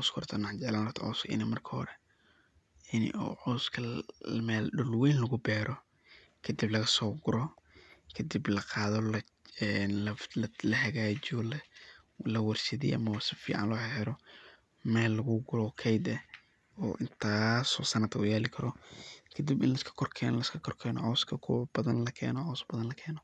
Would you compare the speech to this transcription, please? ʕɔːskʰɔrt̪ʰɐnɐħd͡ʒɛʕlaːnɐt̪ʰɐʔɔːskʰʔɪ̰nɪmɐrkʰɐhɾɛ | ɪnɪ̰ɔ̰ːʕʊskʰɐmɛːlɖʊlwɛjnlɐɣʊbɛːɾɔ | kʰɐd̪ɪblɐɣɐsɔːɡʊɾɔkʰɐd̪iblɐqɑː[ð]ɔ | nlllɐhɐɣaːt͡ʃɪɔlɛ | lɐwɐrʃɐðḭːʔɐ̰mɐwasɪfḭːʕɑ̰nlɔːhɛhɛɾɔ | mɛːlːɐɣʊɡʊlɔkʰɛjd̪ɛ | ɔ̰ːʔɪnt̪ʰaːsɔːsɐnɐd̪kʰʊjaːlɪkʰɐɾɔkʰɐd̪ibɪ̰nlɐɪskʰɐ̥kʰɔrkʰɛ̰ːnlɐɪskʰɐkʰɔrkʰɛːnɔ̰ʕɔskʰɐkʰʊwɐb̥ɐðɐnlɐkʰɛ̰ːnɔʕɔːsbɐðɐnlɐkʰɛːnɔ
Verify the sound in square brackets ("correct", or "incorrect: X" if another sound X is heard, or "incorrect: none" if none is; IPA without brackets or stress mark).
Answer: correct